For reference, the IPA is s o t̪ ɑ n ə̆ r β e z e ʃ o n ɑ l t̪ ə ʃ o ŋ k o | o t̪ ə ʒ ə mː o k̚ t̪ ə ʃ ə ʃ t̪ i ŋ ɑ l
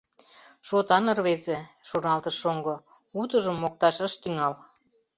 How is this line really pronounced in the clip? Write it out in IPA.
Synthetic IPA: ʃ o t̪ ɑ n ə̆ r β e z e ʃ o n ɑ l t̪ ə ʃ o ŋ ɡ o | u t̪ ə ʒ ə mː o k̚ t̪ ɑ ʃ ə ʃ t̪ y ŋ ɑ l